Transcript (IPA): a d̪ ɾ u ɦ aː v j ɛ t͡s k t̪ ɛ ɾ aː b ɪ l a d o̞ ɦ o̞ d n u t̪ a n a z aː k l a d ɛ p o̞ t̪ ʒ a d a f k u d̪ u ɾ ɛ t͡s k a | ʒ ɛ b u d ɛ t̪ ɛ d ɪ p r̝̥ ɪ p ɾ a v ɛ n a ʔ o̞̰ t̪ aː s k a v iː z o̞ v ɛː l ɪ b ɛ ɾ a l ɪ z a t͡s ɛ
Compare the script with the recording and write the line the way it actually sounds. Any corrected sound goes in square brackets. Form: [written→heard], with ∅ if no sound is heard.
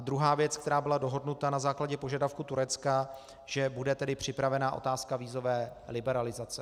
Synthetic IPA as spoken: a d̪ ɾ u ɦ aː v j ɛ t͡s k t̪ ɛ ɾ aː b ɪ l a d o̞ ɦ o̞ d n u t̪ a n a z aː k l a [d→ɟ] ɛ p o̞ [t̪→∅] ʒ a d a f k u [d̪→t̪] u ɾ ɛ t͡s k a | ʒ ɛ b u d ɛ t̪ ɛ d ɪ p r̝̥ ɪ p ɾ a v ɛ n a ʔ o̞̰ t̪ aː s k a v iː z o̞ v ɛː l ɪ b ɛ ɾ a l ɪ z a t͡s ɛ